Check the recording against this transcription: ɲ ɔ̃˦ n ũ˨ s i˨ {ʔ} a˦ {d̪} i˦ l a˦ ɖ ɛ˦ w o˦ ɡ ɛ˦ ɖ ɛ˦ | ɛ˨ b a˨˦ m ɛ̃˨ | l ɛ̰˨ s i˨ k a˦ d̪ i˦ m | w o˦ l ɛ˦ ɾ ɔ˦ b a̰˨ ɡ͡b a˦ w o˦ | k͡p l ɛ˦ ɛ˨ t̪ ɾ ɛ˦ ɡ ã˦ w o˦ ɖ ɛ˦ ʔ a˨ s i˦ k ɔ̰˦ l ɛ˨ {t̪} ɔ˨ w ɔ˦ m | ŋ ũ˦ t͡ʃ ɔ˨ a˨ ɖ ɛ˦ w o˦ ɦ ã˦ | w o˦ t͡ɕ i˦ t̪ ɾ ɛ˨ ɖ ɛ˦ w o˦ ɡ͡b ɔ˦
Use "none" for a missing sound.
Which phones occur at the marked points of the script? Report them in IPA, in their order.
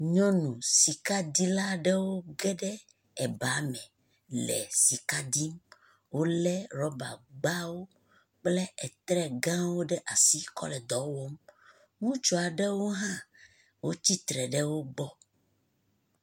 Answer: k, d̪, d̪

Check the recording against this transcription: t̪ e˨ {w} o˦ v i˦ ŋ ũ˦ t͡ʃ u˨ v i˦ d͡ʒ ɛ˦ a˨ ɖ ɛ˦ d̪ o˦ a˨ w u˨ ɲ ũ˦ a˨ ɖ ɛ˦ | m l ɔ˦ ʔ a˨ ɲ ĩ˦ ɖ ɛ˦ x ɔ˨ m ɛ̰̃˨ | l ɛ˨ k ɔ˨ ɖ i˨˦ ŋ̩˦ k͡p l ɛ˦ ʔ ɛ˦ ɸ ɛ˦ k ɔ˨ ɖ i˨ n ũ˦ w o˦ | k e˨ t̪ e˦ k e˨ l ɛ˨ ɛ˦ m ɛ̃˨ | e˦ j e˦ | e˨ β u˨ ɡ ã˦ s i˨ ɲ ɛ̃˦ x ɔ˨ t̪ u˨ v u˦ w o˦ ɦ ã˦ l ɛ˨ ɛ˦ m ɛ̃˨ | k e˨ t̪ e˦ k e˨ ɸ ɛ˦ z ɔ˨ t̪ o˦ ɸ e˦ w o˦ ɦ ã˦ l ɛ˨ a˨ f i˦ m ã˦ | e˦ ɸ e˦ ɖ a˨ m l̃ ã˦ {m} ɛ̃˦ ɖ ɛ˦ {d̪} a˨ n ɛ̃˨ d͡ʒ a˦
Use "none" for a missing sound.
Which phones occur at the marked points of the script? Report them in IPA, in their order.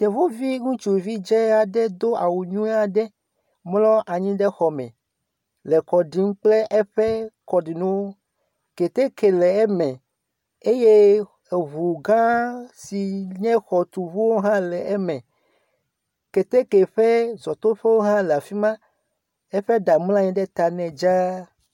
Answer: v, ɲ, t̪

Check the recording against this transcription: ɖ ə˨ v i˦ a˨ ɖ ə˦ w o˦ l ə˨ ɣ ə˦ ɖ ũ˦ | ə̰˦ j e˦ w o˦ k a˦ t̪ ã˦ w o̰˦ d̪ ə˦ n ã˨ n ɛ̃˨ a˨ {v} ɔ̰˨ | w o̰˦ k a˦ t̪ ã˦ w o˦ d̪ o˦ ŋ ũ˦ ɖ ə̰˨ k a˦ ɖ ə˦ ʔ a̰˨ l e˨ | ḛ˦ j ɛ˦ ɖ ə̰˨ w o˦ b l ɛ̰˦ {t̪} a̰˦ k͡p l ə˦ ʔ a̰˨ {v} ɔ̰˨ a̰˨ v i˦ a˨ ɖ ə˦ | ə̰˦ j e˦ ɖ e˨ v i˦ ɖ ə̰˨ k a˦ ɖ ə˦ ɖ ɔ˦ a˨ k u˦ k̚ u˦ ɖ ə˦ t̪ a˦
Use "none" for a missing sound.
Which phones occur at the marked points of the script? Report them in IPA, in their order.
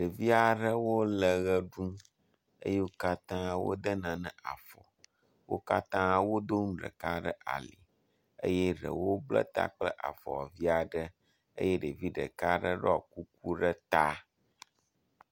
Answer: f, t̪, f

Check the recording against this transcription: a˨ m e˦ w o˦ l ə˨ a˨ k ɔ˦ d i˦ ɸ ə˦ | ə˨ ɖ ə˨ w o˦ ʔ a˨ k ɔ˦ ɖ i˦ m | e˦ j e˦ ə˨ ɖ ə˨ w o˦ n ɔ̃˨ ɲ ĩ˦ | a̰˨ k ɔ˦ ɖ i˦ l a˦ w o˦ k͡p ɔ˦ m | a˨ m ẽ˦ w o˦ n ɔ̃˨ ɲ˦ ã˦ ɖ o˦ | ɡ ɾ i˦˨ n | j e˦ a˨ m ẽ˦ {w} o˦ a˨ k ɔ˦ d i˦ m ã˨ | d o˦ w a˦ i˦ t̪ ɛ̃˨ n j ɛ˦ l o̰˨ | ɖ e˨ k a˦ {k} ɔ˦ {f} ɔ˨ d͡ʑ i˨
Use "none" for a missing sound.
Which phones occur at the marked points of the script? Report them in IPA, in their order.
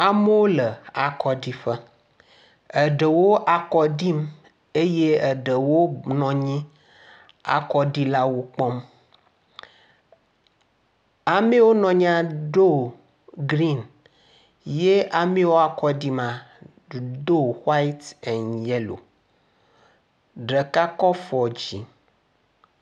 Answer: w, k, f

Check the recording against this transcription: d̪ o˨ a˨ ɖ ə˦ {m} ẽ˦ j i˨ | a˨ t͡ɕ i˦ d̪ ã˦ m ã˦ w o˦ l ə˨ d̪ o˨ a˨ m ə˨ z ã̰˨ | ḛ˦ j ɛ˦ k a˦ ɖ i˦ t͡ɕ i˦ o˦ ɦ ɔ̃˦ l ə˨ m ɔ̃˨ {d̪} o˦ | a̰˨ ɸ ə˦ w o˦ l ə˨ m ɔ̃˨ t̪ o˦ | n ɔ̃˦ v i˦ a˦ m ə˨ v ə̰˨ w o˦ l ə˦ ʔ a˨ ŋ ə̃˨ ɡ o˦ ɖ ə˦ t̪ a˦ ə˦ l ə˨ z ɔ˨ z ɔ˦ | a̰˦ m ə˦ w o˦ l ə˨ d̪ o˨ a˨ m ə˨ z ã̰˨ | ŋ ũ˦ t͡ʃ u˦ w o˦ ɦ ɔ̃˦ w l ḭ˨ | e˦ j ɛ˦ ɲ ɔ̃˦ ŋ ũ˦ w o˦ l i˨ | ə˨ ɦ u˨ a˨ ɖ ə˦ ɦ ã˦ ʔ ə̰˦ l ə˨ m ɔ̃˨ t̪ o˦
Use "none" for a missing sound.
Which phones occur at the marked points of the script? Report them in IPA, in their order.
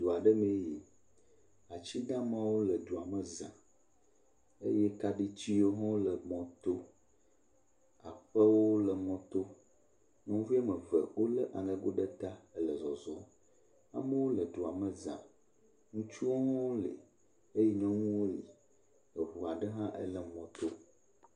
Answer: m, t̪

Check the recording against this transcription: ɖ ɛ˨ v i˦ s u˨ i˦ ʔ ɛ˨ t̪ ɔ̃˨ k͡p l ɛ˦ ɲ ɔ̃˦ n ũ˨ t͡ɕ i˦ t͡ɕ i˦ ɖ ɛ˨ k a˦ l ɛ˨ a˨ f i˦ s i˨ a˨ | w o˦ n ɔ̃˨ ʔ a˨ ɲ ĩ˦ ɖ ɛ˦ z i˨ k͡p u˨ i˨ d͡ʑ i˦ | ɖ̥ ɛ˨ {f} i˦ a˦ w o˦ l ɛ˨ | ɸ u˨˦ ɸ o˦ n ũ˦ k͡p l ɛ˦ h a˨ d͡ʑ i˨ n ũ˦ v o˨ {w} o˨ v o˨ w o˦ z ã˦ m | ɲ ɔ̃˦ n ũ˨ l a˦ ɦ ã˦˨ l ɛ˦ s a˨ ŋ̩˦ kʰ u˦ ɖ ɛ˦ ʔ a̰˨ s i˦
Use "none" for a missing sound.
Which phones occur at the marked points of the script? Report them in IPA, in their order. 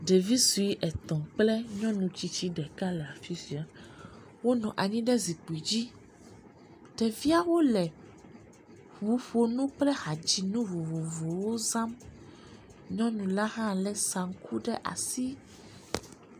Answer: v, v

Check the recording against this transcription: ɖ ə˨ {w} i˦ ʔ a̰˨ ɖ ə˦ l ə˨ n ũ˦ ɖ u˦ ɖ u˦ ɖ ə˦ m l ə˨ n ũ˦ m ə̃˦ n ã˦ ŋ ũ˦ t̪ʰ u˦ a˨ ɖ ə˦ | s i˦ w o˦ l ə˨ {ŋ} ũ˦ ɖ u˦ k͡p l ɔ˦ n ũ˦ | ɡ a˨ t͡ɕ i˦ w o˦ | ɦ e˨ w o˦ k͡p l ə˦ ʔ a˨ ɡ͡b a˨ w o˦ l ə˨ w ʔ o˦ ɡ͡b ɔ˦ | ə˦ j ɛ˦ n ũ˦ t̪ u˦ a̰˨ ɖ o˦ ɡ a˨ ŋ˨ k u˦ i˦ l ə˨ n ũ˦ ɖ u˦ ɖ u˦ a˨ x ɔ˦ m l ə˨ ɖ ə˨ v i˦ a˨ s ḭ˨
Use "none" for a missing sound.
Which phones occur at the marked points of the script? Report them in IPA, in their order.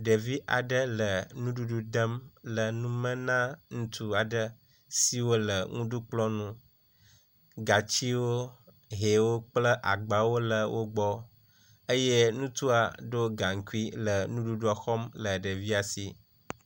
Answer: v, ŋ

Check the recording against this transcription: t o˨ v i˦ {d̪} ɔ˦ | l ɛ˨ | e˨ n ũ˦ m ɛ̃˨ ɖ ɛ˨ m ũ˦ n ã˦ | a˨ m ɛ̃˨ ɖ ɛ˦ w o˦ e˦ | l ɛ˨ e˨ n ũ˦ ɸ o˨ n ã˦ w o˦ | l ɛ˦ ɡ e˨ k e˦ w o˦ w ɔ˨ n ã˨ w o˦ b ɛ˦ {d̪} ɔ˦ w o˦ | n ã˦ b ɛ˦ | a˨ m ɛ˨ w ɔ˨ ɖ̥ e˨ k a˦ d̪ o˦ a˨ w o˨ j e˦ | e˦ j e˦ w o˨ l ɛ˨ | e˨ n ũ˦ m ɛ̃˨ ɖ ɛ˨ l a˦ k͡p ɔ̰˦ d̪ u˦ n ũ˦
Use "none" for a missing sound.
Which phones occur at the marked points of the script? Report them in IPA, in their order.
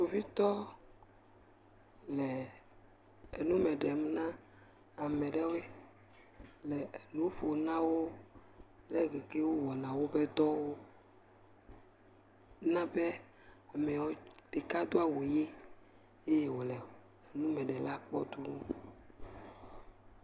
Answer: t̪, d̪

